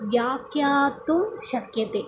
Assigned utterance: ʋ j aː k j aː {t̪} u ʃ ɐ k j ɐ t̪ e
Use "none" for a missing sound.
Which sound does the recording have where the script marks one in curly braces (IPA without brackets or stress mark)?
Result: t̪